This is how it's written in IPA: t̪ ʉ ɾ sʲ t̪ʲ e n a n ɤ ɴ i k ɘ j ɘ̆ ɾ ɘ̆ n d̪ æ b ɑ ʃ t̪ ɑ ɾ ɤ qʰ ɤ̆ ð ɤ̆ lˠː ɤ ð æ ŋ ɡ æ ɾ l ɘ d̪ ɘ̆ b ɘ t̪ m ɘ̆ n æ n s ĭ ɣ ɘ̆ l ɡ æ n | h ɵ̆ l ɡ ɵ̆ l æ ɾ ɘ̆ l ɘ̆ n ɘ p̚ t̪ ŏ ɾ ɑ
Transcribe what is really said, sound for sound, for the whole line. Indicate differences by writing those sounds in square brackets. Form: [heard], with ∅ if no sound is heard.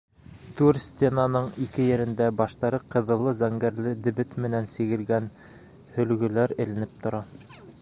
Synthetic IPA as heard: t̪ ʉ ɾ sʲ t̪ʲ e n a n ɤ ɴ i k ɘ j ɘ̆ ɾ ɘ̆ n d̪ æ b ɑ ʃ t̪ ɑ ɾ ɤ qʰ ɤ̆ ð ɤ̆ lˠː ɤ [z] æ ŋ ɡ æ ɾ l ɘ d̪ ɘ̆ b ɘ t̪ m ɘ̆ n æ n s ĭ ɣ ɘ̆ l ɡ æ n | h ɵ̆ l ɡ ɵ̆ l æ ɾ ɘ̆ l ɘ̆ n ɘ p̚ t̪ ŏ ɾ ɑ

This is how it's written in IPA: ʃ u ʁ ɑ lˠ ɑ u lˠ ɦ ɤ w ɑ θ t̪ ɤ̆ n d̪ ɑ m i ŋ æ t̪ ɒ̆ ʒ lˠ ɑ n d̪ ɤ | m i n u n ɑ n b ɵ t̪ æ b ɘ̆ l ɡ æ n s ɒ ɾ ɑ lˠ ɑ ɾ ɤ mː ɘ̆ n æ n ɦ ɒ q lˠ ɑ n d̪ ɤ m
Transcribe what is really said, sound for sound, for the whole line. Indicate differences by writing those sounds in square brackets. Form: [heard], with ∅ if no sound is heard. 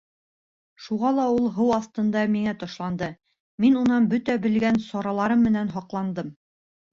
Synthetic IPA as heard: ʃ u ʁ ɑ lˠ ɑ u lˠ ɦ ɤ w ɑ θ t̪ ɤ̆ n d̪ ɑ m i ŋ æ t̪ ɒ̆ [ʃ] lˠ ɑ n d̪ ɤ | m i n u n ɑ n b ɵ t̪ æ b ɘ̆ l ɡ æ n s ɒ ɾ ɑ lˠ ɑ ɾ ɤ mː ɘ̆ n æ n ɦ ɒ q lˠ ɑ n d̪ ɤ m

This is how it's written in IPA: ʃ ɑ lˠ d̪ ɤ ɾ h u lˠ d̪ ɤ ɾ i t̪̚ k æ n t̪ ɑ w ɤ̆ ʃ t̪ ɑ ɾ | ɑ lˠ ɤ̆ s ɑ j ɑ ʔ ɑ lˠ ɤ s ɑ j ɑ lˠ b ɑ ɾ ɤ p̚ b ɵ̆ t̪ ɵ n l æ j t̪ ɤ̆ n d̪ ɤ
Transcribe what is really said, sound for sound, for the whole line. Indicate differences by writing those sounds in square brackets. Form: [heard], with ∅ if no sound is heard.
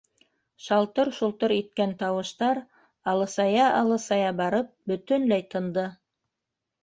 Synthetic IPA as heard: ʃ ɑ lˠ [t̪] ɤ ɾ [ʃ] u lˠ [t̪] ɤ ɾ i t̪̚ k æ n t̪ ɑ w ɤ̆ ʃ t̪ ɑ ɾ | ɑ lˠ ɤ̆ s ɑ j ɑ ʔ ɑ lˠ ɤ s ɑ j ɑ [∅] b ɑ ɾ ɤ p̚ b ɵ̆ t̪ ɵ n l æ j t̪ ɤ̆ n d̪ ɤ

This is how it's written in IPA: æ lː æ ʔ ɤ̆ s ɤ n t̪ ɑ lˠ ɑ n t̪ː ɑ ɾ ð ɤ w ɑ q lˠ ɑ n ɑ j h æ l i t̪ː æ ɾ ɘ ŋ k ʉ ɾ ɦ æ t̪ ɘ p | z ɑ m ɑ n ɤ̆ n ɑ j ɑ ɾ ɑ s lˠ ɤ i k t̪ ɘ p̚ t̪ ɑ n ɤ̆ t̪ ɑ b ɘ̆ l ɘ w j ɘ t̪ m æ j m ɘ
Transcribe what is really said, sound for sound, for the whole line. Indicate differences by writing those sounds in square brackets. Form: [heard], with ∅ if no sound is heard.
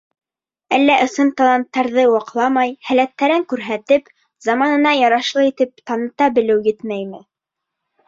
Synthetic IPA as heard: æ lː æ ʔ ɤ̆ s ɤ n t̪ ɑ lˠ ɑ n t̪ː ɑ ɾ ð ɤ w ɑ q lˠ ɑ [m] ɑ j h æ l [æ] t̪ː æ ɾ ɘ ŋ k ʉ ɾ ɦ æ t̪ ɘ p | z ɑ m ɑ n ɤ̆ n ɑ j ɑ ɾ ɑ [ʃ] lˠ ɤ i [∅] t̪ ɘ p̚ t̪ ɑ n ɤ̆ t̪ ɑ b ɘ̆ l ɘ w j ɘ t̪ m æ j m ɘ

